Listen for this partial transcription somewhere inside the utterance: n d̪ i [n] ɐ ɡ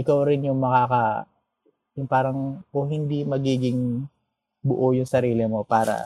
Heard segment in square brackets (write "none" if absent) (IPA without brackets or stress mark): m